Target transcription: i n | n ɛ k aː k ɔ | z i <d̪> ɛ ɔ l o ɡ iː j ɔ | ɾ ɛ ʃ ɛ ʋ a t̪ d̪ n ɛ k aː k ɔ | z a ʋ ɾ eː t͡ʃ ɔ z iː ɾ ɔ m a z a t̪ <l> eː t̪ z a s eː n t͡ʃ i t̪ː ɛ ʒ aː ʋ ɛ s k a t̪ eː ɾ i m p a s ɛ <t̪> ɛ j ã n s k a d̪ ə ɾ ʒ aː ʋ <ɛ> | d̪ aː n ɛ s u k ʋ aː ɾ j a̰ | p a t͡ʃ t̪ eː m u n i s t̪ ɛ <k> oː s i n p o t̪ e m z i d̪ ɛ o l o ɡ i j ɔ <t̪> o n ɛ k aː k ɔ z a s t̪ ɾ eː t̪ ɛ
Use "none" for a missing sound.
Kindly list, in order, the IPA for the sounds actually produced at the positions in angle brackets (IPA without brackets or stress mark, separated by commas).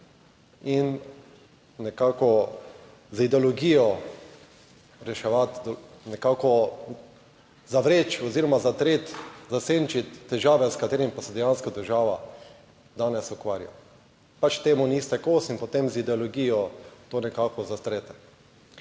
d̪, ɾ, d̪, a, k, t̪